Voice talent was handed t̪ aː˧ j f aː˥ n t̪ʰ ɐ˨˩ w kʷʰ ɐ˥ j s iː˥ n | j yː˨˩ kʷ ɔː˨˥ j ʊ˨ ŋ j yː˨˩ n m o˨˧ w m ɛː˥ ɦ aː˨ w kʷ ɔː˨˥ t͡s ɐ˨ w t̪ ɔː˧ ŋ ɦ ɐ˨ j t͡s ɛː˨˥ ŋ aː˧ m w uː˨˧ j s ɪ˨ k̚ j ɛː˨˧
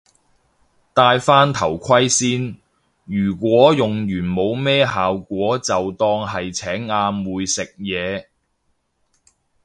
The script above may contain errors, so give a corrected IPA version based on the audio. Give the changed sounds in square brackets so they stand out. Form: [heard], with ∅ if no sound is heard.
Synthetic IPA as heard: t̪ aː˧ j f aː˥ n t̪ʰ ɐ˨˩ w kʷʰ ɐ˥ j s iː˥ n | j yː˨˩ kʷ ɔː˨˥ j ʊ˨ ŋ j yː˨˩ n m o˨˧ w m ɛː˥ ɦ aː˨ w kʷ ɔː˨˥ t͡s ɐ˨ w t̪ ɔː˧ ŋ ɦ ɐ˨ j [t͡sʰ] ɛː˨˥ ŋ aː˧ m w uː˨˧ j s ɪ˨ k̚ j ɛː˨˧